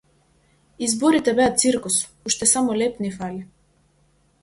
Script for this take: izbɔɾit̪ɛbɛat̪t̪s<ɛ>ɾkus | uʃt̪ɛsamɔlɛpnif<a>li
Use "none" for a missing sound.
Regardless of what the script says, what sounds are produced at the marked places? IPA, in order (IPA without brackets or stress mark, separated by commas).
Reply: i, a